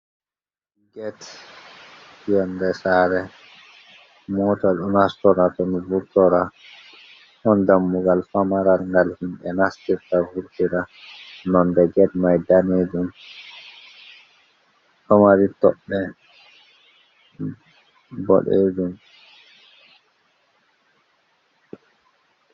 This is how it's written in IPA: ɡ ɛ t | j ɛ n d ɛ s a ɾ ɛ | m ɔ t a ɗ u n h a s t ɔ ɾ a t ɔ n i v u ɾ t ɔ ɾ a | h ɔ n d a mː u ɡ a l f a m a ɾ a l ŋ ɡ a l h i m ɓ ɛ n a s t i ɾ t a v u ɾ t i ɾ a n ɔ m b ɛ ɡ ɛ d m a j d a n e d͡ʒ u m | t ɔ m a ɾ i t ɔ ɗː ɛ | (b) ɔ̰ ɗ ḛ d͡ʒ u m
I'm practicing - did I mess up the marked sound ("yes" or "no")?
no